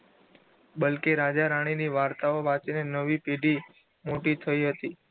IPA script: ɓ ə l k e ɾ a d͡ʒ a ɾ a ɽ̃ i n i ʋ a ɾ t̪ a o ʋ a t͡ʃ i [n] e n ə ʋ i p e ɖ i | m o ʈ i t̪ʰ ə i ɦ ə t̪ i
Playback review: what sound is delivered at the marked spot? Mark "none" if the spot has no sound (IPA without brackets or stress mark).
n